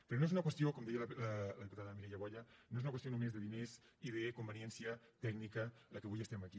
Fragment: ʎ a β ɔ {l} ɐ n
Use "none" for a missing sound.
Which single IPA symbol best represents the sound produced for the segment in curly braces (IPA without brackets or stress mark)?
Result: ʎ